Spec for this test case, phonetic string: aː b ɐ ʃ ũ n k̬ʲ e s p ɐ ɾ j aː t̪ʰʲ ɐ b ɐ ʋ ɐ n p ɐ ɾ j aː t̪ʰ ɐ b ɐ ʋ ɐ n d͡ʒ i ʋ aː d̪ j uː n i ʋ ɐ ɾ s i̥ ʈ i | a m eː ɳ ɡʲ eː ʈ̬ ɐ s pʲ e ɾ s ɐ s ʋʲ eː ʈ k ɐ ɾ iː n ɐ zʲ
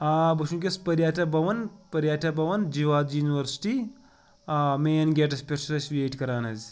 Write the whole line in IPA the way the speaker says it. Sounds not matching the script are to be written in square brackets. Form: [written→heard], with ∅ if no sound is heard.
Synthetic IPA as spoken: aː b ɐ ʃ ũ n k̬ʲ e s p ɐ ɾ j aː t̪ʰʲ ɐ b ɐ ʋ ɐ n p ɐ ɾ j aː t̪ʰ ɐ b ɐ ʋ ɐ n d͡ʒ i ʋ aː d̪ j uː n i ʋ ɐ ɾ s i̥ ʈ i | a m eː [ɳ→n] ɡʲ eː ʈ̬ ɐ s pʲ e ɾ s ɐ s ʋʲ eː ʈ k ɐ ɾ [iː→aː] n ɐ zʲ